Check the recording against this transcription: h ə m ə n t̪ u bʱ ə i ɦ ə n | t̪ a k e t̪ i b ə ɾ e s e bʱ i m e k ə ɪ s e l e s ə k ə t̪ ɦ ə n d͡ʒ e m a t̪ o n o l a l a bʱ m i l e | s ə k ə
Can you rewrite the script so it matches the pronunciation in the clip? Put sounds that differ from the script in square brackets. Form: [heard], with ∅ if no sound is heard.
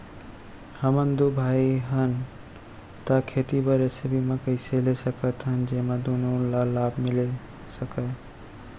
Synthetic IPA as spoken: h ə m ə n [d̪] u bʱ [a] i ɦ ə n | t̪ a [kʰ] e t̪ i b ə ɾ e s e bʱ i m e k ə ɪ s e l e s ə k ə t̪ ɦ ə n d͡ʒ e m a [d̪] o n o l a l a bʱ m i l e | s ə k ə

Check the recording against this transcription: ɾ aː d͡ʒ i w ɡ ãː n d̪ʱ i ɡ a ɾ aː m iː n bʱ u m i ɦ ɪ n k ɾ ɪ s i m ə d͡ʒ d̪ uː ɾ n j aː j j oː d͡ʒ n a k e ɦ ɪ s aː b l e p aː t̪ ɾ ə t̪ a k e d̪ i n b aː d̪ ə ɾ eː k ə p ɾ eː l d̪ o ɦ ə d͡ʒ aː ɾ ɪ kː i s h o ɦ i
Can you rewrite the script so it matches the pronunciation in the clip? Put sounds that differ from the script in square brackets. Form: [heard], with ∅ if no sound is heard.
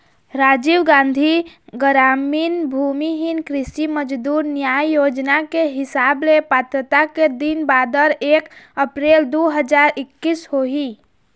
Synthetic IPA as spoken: ɾ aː d͡ʒ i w ɡ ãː n d̪ʱ i ɡ [ə] ɾ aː m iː n bʱ u m i ɦ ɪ n k ɾ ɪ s i m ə d͡ʒ d̪ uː ɾ n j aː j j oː d͡ʒ n a k e ɦ ɪ s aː b l e p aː t̪ ɾ ə t̪ a k e d̪ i n b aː d̪ ə ɾ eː k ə p ɾ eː l d̪ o ɦ ə d͡ʒ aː ɾ ɪ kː i s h o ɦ i

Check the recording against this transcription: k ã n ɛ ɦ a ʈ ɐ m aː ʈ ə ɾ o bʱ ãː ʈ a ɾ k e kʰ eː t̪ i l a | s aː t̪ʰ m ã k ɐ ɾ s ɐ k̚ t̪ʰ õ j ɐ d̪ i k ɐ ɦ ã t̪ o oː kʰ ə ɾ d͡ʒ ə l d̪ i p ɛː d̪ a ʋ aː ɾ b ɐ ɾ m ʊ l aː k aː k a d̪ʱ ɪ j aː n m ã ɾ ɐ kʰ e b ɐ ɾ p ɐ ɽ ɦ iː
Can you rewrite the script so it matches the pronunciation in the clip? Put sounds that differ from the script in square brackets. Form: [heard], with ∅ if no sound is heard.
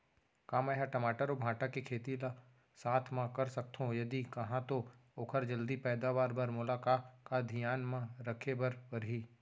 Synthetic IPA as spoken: k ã [m] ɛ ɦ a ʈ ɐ m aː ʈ ə ɾ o bʱ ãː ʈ a [∅] k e kʰ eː t̪ i l a | s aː t̪ʰ m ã k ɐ ɾ s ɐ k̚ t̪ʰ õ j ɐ d̪ i k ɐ ɦ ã t̪ o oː kʰ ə ɾ d͡ʒ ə l d̪ i p ɛː d̪ a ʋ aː ɾ b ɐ ɾ m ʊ l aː k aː k a d̪ʱ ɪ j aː n m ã ɾ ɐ kʰ e b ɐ ɾ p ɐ [ɾ] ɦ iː

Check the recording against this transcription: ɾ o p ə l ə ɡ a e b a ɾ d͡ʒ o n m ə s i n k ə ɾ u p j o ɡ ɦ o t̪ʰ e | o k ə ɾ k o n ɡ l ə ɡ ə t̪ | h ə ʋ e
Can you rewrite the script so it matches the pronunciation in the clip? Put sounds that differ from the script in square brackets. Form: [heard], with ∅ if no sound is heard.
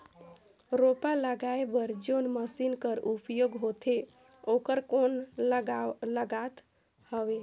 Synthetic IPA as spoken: ɾ o p [a] l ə ɡ a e b [ə] ɾ d͡ʒ o n m ə s i n k ə ɾ u p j o ɡ ɦ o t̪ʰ e | o k ə ɾ k o n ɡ l ə ɡ [a] t̪ | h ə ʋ e

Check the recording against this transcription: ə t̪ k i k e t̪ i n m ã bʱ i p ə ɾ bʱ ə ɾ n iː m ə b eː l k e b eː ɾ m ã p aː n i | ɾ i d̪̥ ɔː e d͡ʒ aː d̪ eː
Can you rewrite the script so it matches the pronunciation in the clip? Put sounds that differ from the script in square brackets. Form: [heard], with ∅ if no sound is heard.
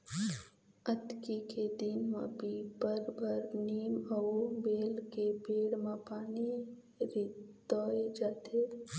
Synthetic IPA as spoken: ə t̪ k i k e [d̪] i n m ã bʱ i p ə ɾ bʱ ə ɾ n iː m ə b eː l k e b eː [ɽ] m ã p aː n i | ɾ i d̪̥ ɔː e d͡ʒ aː [t̪] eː

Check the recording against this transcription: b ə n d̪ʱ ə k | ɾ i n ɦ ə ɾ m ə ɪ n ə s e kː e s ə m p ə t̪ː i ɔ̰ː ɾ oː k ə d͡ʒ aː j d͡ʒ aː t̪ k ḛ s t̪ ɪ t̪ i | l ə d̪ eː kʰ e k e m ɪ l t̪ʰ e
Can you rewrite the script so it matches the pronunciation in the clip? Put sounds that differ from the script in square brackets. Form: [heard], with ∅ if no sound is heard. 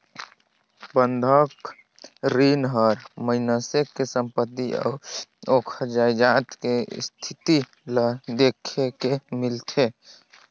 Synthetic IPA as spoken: b ə n d̪ʱ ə k | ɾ i n ɦ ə ɾ m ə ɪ n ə s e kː e s ə m p ə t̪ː i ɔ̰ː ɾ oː [kʰ] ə d͡ʒ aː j d͡ʒ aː t̪ k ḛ s [t̪ʰ] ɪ t̪ i | l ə d̪ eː kʰ e k e m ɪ l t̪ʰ e

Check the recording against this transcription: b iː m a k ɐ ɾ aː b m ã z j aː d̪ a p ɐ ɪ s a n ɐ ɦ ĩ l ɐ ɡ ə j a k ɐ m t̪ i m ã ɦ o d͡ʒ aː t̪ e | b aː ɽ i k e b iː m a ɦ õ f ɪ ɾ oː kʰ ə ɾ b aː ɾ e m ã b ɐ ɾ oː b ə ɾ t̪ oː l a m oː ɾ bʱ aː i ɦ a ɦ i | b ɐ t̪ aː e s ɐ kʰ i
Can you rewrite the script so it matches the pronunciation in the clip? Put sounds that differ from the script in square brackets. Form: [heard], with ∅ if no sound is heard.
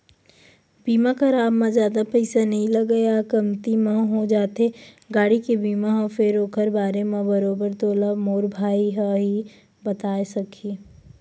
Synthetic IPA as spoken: b iː m a k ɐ ɾ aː b m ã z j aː d̪ a p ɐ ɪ s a n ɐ ɦ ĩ l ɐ ɡ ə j a k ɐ m t̪ i m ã ɦ o d͡ʒ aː t̪ e | [ɡ] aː ɽ i k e b iː m a ɦ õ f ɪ ɾ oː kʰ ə ɾ b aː ɾ e m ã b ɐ ɾ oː b ə ɾ t̪ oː l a m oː ɾ bʱ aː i ɦ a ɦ i | b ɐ t̪ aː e s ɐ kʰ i

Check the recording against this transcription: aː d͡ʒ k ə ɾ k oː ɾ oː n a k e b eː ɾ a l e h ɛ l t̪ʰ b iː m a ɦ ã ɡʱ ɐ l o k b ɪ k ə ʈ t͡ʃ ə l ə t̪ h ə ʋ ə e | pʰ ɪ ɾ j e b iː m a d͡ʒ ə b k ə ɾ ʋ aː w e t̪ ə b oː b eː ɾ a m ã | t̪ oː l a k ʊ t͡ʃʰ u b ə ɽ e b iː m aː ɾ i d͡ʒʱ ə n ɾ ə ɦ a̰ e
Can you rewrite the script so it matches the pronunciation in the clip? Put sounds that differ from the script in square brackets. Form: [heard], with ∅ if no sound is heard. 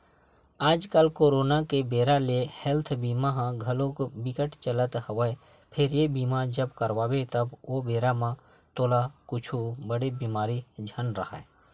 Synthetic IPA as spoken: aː d͡ʒ k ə [l] k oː ɾ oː n a k e b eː ɾ a l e h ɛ l t̪ʰ b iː m a ɦ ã ɡʱ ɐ l o k b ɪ k ə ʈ t͡ʃ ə l ə t̪ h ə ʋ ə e | pʰ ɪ ɾ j e b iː m a d͡ʒ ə b k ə ɾ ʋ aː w e t̪ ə b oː b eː ɾ a m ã | t̪ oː l a k ʊ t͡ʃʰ u b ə ɽ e b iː m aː ɾ i d͡ʒʱ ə n ɾ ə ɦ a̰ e

